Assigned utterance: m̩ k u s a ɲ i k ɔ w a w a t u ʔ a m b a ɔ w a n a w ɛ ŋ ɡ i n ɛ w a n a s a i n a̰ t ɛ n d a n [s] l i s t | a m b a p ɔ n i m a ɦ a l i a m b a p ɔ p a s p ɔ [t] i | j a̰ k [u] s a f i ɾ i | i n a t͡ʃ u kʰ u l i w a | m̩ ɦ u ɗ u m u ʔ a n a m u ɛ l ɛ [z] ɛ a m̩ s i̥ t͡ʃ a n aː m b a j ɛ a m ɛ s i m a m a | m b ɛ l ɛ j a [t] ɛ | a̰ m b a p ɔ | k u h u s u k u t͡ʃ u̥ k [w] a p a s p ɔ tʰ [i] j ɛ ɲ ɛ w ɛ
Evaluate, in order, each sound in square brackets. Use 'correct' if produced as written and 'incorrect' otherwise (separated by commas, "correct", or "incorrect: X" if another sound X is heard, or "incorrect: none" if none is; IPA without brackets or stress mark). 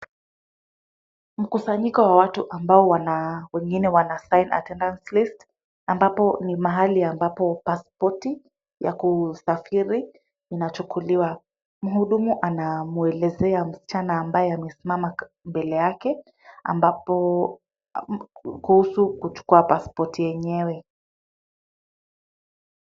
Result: correct, correct, correct, correct, incorrect: k, incorrect: u, correct